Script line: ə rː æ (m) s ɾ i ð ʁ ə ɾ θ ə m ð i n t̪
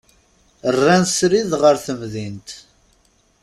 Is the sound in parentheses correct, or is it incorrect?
incorrect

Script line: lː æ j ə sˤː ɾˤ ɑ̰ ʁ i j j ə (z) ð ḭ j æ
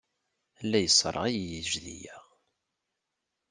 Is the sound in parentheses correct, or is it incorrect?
incorrect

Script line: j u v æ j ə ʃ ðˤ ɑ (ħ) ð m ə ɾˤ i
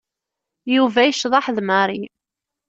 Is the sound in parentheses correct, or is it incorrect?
correct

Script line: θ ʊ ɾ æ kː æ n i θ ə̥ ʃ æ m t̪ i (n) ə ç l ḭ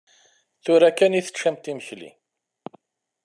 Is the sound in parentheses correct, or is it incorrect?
incorrect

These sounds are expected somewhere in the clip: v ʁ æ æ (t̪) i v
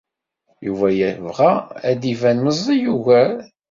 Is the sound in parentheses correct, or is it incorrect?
incorrect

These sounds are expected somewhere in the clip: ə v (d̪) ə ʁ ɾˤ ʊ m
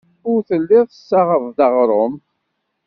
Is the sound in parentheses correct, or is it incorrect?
correct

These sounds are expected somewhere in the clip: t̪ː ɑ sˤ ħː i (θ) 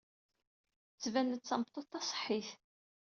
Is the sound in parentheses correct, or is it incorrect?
correct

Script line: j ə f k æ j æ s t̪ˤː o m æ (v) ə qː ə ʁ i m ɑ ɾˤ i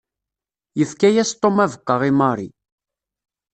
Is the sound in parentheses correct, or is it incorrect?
correct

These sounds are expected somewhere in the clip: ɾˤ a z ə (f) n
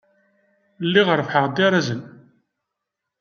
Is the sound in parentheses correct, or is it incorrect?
incorrect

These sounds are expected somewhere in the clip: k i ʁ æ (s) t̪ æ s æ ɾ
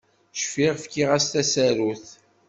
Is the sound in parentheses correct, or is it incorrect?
correct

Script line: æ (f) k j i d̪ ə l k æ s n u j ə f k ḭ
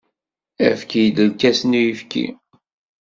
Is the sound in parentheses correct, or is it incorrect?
correct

